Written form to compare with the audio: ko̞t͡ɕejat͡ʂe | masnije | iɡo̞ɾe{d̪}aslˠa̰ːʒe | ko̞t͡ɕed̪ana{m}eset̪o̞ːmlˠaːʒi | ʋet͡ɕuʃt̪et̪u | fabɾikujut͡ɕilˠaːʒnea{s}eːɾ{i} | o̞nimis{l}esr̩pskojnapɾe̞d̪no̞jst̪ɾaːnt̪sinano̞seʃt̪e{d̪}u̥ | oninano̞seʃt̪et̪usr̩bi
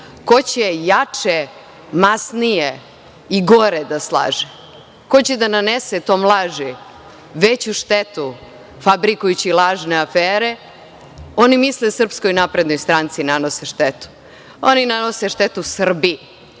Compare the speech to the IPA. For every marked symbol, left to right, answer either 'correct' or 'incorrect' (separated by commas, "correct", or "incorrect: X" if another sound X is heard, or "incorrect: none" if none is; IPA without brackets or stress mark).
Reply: correct, incorrect: n, incorrect: f, incorrect: e, correct, incorrect: t̪